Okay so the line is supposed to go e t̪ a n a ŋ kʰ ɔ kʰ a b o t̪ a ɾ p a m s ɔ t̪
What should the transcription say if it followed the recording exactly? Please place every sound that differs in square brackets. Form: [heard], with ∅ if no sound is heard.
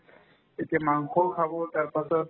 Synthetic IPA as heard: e t̪ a [m] a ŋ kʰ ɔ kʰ a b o t̪ a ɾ p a [∅] s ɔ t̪